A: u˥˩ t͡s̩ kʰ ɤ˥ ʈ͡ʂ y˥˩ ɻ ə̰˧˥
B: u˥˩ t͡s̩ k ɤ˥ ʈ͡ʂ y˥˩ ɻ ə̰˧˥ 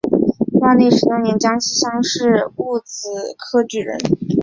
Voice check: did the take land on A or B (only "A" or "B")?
A